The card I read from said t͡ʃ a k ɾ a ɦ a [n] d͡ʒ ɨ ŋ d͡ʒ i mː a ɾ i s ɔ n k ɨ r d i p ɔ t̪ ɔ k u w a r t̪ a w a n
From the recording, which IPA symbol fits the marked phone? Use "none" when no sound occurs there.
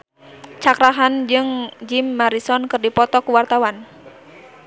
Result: n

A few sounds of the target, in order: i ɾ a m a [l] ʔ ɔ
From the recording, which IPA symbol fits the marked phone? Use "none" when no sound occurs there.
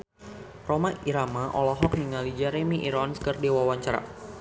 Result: none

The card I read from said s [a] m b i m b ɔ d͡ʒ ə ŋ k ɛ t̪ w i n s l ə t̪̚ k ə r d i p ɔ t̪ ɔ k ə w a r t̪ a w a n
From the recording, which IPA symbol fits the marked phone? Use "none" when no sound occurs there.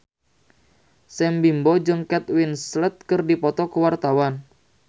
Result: ɛ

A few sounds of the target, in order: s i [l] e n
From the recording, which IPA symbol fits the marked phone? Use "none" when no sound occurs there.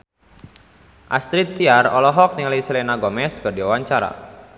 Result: l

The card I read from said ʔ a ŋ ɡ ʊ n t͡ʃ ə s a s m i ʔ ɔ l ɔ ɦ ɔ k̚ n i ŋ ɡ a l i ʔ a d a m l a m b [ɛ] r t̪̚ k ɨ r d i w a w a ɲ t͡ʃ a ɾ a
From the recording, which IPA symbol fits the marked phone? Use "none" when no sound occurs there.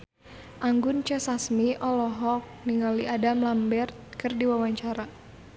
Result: ɛ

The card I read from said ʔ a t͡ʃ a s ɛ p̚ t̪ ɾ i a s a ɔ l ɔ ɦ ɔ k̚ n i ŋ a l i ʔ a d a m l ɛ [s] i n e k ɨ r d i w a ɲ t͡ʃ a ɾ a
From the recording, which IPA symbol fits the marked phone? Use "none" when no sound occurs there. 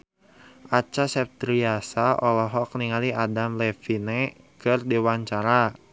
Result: f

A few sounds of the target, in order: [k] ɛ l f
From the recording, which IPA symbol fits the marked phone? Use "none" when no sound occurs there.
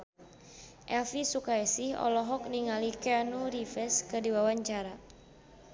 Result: ʔ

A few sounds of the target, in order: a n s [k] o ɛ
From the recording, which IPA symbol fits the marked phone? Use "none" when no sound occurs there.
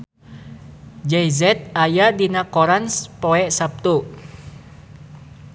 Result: p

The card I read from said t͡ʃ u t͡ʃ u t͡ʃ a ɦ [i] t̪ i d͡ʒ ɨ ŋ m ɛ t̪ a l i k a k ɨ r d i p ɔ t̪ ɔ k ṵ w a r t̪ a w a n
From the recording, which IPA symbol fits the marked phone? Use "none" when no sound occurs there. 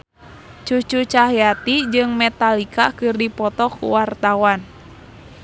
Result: a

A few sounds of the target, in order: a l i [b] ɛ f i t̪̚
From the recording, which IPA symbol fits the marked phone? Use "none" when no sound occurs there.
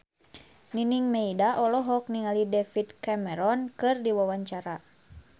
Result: d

